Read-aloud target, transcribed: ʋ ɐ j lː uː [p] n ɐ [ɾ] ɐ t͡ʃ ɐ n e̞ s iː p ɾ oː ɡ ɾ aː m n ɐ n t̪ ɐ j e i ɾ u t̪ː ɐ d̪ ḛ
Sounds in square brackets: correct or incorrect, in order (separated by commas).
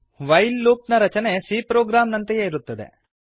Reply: correct, correct